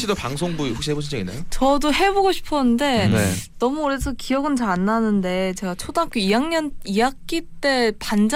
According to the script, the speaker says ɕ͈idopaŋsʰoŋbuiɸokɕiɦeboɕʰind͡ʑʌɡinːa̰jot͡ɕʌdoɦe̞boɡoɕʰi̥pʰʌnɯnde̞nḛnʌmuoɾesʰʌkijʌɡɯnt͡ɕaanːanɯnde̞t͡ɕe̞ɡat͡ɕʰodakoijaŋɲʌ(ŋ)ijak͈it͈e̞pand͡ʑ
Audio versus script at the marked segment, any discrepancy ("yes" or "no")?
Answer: yes